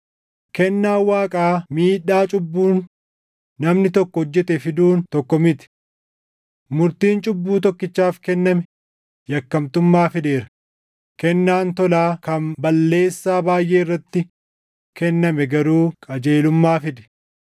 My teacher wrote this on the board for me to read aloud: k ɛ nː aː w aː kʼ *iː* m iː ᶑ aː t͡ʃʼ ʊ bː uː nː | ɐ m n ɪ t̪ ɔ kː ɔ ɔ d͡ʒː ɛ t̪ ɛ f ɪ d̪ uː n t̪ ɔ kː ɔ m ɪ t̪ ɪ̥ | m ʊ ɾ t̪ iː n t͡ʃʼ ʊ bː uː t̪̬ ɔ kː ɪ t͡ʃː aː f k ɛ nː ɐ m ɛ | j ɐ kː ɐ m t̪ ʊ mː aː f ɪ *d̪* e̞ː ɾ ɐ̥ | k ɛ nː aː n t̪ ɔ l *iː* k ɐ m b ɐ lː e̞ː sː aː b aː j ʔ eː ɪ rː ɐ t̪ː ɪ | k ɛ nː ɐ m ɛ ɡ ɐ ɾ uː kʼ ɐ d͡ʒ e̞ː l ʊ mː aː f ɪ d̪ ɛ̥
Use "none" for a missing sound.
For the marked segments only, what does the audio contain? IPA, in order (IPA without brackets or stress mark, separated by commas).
aː, d̪, aː